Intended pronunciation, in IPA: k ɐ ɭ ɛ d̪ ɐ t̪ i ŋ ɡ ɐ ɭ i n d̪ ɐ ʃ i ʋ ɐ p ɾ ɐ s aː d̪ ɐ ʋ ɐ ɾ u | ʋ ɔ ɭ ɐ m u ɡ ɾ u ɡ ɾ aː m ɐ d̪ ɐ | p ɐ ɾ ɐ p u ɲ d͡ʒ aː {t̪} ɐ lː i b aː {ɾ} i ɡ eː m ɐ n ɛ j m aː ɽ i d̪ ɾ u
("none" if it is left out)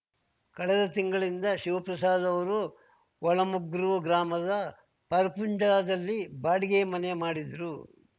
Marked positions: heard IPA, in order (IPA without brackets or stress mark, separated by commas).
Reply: d̪, ɽ